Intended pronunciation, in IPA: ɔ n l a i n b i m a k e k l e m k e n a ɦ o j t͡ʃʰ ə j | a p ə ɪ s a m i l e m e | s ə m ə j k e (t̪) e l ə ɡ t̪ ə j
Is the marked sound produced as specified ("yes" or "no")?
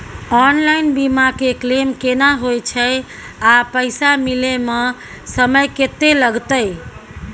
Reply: yes